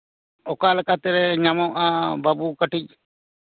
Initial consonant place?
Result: velar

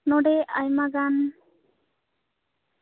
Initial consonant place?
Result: alveolar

